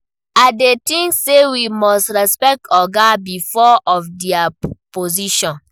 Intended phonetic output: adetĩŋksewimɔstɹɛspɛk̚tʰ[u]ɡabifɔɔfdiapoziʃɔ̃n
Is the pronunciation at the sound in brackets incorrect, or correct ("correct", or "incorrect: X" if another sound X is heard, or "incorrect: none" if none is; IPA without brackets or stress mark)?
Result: incorrect: ɔ